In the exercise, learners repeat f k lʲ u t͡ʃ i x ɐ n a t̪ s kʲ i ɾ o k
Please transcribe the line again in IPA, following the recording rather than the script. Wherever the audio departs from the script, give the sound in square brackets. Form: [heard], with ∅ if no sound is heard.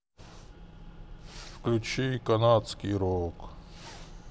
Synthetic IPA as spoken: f k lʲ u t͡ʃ i [k] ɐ n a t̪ s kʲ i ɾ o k